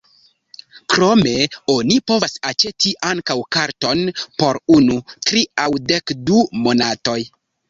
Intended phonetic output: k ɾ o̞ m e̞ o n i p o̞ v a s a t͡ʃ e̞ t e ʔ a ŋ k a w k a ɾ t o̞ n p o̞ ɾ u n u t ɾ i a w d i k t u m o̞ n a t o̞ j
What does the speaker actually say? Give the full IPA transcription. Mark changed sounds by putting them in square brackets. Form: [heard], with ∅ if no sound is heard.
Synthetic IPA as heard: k ɾ o̞ m e̞ o n i p o̞ v a s a t͡ʃ e̞ t [i] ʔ a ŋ k a w k a ɾ t o̞ n p o̞ ɾ u n u t ɾ i a w d [e] k [d] u m o̞ n a t o̞ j

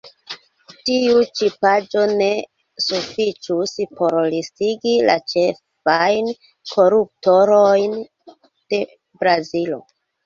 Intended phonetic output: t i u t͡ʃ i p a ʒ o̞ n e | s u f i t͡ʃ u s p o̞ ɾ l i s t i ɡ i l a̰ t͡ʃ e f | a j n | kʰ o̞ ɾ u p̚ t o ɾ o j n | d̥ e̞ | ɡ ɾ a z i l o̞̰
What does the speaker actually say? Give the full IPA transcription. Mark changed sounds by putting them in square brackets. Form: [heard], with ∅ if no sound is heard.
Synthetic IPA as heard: t i u t͡ʃ i p a [d͡ʒ] o̞ n e | s u f i t͡ʃ u s p o̞ ɾ l i s t i ɡ i l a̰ t͡ʃ e f | a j n | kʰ o̞ ɾ u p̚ t o ɾ o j n | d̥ e̞ | [b] ɾ a z i l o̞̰

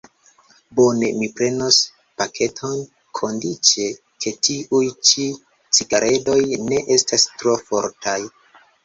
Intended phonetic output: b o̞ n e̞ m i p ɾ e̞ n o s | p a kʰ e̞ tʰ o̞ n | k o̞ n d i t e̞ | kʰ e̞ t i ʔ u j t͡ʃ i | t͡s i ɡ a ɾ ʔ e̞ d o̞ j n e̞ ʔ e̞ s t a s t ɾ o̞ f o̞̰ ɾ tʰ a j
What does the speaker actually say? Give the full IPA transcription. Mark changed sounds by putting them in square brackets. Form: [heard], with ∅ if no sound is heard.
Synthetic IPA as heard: b o̞ n e̞ m i p ɾ e̞ n o s | p a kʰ e̞ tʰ o̞ n | [kʰ] o̞ n d i [t͡ʃ] e̞ | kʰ e̞ t i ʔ u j t͡ʃ i | t͡s i ɡ a ɾ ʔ e̞ d o̞ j n e̞ ʔ e̞ s t a s t ɾ o̞ f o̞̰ ɾ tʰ a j

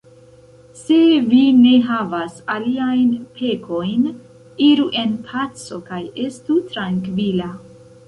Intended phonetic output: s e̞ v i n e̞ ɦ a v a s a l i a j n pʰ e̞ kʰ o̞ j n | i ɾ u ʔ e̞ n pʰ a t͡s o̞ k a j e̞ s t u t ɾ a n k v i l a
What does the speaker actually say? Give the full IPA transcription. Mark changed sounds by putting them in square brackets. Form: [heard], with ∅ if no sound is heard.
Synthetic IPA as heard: s e̞ v i n e̞ ɦ a v a s a l i a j n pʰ e̞ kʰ o̞ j n | i ɾ u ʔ e̞ n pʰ a t͡s o̞ k a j e̞ s t u t ɾ a [ŋ] k v i l a

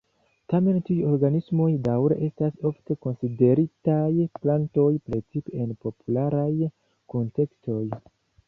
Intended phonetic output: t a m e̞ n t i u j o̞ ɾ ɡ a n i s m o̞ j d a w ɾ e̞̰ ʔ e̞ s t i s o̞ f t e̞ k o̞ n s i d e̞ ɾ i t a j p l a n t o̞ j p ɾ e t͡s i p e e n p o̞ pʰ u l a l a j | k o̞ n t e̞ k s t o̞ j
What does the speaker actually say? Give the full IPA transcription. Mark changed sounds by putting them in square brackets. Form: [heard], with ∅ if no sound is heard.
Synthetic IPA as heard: t a m e̞ n t i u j o̞ ɾ ɡ a n i s m o̞ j d a w ɾ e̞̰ ʔ e̞ s t [a] s o̞ f t e̞ k o̞ n s i d e̞ ɾ i t a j p l a n t o̞ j p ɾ e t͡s i p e e n p o̞ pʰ u l a [ɾ] a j | k o̞ n t e̞ k s t o̞ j

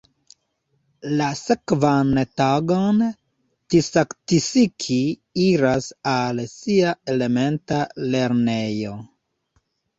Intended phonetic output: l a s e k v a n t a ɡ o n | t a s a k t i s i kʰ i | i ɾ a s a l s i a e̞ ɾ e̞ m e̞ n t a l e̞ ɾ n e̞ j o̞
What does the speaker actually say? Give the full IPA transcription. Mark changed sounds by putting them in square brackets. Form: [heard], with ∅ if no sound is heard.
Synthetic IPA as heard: l a s e k v a n t a ɡ o n | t [i] s a k t i s i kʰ i | i ɾ a s a l s i a e̞ [l] e̞ m e̞ n t a l e̞ ɾ n e̞ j o̞

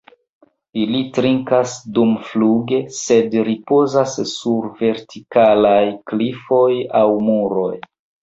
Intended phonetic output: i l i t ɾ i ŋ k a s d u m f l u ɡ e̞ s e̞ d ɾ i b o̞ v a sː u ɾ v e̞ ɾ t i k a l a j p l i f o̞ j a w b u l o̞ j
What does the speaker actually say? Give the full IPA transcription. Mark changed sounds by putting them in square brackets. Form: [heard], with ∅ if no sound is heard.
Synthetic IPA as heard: i l i t ɾ i ŋ k a s d u m f l u ɡ e̞ s e̞ d ɾ i [p] o̞ [z] a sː u ɾ v e̞ ɾ t i k a l a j [k] l i f o̞ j a w [m] u [ɾ] o̞ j

